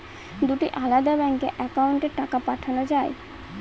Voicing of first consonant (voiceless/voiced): voiced